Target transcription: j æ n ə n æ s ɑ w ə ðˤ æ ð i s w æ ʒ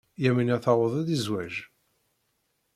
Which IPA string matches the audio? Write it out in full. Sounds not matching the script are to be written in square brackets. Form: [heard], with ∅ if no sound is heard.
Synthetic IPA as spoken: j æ [m] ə n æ [θ] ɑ w ə ðˤ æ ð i [z] w æ ʒ

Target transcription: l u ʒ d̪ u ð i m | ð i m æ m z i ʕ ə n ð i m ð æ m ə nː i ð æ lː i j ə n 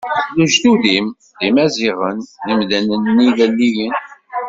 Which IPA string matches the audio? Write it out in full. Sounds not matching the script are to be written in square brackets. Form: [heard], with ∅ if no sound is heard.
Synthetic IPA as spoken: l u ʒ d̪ u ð i m | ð i m æ [∅] z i [ʁ] ə n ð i m ð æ [n] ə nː i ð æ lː i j ə n

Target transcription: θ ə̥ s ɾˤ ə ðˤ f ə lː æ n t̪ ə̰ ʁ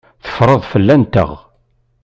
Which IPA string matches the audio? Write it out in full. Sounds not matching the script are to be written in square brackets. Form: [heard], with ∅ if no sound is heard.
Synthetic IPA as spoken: θ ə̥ [f] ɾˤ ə ðˤ f ə lː æ n t̪ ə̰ ʁ

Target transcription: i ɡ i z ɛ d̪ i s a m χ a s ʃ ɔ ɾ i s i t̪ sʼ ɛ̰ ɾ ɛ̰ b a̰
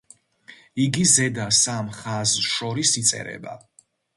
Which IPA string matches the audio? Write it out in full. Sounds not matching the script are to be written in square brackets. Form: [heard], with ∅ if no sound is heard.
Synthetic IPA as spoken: i ɡ i z ɛ d̪ [a] s a m χ a [z] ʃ ɔ ɾ i s i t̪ sʼ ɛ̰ ɾ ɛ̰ b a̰

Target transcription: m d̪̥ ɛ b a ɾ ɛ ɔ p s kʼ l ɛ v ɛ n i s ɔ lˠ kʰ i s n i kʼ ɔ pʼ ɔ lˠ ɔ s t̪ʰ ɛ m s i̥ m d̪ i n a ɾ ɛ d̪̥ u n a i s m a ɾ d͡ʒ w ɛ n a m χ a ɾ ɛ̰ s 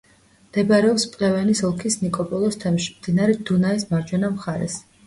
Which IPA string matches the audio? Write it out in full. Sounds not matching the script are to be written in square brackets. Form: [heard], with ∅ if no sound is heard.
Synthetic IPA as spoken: m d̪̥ ɛ b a ɾ ɛ ɔ p s [pʼ] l ɛ v ɛ n i s ɔ lˠ kʰ i s n i kʼ ɔ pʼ ɔ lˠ ɔ s t̪ʰ ɛ m [ʃ] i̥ m d̪ i n a ɾ ɛ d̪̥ u n a i s m a ɾ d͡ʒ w ɛ n a m χ a ɾ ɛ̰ s

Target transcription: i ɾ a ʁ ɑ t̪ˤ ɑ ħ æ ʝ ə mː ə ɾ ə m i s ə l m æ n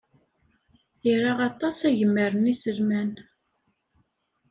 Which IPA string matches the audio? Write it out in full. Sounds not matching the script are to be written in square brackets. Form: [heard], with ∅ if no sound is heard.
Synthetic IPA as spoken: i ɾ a ʁ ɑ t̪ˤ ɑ [s] æ ʝ ə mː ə ɾ ə [n] i s ə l m æ n

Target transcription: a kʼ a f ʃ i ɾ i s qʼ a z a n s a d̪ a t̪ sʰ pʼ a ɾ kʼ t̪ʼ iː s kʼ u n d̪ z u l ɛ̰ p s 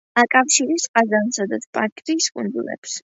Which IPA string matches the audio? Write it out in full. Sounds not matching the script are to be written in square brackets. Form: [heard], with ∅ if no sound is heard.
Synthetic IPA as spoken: a kʼ a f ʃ i ɾ i s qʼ a z a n s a d̪ a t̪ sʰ pʼ a ɾ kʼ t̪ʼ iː s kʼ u n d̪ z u l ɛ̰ p s

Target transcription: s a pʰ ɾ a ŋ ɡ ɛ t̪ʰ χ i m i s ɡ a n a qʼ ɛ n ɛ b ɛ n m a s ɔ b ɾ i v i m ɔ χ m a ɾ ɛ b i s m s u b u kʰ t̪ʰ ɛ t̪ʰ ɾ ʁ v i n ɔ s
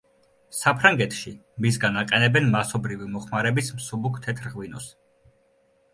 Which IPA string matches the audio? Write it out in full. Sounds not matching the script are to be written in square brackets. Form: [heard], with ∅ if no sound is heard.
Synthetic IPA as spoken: s a pʰ ɾ a ŋ ɡ ɛ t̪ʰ [ʃ] i m i s ɡ a n a qʼ ɛ n ɛ b ɛ n m a s ɔ b ɾ i v i m ɔ χ m a ɾ ɛ b i s m s u b u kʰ t̪ʰ ɛ t̪ʰ ɾ ʁ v i n ɔ s

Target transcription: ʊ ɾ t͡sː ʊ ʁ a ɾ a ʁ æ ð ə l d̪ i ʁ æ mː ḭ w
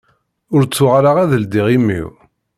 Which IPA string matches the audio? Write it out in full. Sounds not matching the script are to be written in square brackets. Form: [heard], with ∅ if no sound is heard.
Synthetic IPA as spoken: ʊ ɾ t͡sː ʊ ʁ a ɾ a ʁ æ ð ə l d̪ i ʁ [i] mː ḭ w

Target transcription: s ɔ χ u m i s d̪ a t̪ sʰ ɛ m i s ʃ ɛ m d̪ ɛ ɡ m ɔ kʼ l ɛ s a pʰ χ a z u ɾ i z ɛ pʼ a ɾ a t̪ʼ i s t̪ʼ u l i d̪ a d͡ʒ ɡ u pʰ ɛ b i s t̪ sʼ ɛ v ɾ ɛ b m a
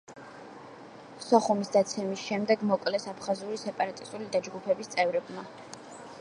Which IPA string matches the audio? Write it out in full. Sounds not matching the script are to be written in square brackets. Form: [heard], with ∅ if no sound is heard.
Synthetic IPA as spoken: s ɔ χ u m i s d̪ a t̪ sʰ ɛ m i s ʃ ɛ m d̪ ɛ ɡ m ɔ kʼ l ɛ s a pʰ χ a z u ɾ i [s] ɛ pʼ a ɾ a t̪ʼ i s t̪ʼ u l i d̪ a d͡ʒ ɡ u pʰ ɛ b i s t̪ sʼ ɛ v ɾ ɛ b m a

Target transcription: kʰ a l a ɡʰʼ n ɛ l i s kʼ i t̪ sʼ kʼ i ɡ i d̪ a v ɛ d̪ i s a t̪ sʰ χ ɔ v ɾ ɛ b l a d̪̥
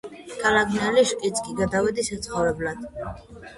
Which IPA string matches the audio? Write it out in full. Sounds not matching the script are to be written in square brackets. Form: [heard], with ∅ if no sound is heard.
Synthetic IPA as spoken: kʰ a l a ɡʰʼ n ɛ l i [ʃ] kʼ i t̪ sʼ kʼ i ɡ [a] d̪ a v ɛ d̪ i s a t̪ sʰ χ ɔ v ɾ ɛ b l a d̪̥

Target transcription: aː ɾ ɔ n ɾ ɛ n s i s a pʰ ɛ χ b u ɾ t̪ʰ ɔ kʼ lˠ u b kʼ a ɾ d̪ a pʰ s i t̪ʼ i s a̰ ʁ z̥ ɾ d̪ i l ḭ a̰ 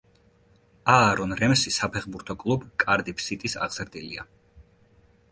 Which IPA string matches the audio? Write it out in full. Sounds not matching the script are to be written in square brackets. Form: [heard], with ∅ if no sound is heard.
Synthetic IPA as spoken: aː ɾ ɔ n ɾ ɛ [m] s i s a pʰ ɛ χ b u ɾ t̪ʰ ɔ kʼ lˠ u b kʼ a ɾ d̪ [i] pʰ s i t̪ʼ i s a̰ ʁ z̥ ɾ d̪ i l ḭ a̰

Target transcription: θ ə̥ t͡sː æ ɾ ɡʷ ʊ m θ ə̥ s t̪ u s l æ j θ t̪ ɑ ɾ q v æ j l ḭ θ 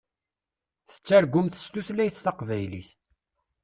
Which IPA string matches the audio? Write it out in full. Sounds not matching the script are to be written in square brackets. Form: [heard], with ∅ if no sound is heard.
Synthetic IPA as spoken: θ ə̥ t͡sː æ ɾ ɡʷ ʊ m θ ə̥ s t̪ u [θ] l æ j θ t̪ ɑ [∅] q v æ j l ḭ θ

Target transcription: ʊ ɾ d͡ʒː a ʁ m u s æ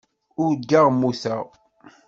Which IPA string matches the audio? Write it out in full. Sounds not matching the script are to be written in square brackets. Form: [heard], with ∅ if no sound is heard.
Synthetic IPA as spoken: ʊ ɾ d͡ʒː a ʁ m u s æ

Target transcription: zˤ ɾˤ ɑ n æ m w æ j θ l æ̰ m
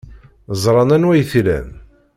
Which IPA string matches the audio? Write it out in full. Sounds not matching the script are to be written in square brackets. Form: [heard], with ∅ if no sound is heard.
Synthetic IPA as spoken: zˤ ɾˤ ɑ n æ [n] w æ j θ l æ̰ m

